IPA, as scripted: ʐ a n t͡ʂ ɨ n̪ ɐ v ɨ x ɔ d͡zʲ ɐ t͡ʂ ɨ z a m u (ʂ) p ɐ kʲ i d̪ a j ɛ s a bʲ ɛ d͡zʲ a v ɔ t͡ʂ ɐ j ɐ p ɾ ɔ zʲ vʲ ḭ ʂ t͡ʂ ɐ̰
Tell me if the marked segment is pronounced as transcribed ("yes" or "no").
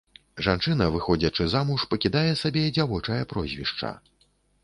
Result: yes